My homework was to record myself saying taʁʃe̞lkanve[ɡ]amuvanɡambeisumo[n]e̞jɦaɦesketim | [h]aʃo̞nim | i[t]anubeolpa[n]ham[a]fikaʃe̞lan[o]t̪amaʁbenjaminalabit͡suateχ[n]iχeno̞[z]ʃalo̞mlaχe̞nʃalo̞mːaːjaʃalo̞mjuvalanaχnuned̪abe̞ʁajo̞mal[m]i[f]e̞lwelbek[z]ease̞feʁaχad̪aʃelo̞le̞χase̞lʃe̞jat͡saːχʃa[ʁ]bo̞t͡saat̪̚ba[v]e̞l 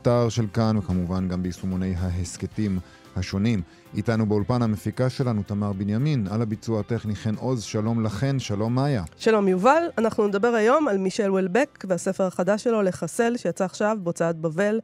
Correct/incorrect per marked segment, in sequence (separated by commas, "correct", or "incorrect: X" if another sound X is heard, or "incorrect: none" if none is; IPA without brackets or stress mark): incorrect: k, correct, correct, correct, correct, incorrect: e, incorrect: u, correct, correct, correct, incorrect: ʃ, incorrect: v, incorrect: v, correct